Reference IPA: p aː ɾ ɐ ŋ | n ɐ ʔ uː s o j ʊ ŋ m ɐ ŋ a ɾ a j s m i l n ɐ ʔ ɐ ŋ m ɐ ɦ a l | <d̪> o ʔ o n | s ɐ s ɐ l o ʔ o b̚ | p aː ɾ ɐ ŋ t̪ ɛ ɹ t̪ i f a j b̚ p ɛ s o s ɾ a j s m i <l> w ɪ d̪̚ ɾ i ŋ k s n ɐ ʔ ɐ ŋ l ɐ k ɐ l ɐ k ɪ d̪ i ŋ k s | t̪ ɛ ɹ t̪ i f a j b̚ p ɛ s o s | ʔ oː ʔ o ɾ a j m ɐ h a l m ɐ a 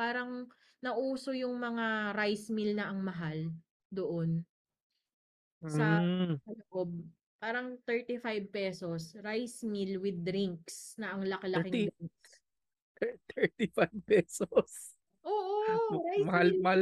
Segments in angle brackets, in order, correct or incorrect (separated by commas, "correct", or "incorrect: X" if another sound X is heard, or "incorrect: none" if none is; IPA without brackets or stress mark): correct, correct